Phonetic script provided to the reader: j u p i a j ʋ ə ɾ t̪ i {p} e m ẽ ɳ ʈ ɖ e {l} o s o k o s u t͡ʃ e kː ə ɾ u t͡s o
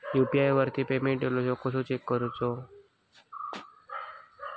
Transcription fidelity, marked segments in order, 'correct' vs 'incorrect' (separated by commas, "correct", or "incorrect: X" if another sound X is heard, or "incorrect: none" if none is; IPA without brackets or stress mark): correct, correct